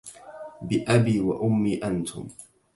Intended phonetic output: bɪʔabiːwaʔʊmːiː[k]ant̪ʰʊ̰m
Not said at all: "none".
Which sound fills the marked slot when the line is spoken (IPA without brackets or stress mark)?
ʔ